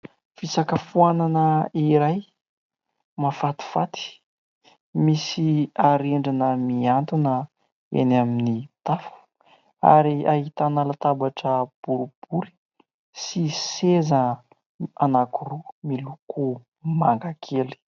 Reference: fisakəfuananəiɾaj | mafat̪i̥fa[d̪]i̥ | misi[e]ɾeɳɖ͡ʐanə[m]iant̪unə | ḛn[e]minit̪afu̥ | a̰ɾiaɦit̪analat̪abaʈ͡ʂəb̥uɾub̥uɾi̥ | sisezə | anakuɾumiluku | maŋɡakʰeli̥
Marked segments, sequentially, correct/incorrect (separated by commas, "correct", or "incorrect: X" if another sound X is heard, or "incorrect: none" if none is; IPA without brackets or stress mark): incorrect: t̪, incorrect: a, correct, incorrect: a